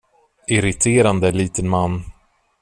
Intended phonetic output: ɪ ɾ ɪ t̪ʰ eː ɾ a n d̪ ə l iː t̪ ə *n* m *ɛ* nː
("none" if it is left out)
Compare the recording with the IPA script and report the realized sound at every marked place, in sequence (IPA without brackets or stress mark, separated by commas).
n, a